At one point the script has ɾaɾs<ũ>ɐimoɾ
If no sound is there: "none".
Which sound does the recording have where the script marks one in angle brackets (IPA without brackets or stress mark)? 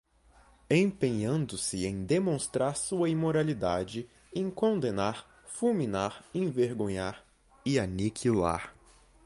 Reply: u